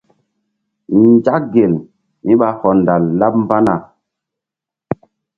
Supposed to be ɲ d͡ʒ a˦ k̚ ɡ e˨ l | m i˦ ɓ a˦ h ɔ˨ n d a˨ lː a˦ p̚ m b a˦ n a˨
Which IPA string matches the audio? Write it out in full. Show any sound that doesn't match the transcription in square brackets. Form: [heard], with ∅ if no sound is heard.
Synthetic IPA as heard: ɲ d͡ʒ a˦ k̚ ɡ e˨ l | m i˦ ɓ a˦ h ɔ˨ n d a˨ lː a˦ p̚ m b a˦ n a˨